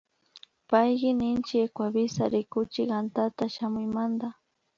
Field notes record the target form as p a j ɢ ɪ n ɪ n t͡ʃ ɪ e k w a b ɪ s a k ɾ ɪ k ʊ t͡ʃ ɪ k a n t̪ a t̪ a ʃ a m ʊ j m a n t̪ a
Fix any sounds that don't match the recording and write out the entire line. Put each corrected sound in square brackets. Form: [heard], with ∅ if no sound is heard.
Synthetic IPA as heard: p a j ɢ ɪ n ɪ n t͡ʃ ɪ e k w a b ɪ s a [∅] ɾ ɪ k ʊ t͡ʃ ɪ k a n t̪ a t̪ a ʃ a m ʊ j m a n [d̪] a